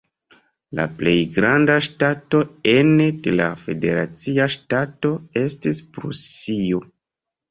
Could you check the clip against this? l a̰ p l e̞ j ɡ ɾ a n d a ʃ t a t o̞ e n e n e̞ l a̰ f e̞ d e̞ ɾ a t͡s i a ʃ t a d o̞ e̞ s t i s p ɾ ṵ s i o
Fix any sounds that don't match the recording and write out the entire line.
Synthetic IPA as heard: l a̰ p l e̞ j ɡ ɾ a n d a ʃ t a t o̞ e n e d e̞ l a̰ f e̞ d e̞ ɾ a t͡s i a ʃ t a t o̞ e̞ s t i s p ɾ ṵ s i o